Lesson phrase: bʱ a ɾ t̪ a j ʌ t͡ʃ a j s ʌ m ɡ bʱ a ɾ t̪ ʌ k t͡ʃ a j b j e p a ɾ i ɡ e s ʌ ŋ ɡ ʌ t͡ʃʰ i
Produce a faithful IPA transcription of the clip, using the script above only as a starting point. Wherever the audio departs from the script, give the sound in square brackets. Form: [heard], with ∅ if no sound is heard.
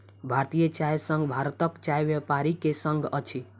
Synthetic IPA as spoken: bʱ a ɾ t̪ [i] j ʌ t͡ʃ a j s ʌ [ŋ] ɡ bʱ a ɾ t̪ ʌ k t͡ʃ a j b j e p a ɾ i [k] e s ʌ ŋ ɡ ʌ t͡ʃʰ i